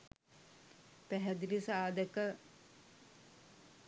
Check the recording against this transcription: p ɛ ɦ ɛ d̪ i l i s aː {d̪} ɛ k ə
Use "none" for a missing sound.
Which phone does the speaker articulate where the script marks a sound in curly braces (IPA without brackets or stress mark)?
d̪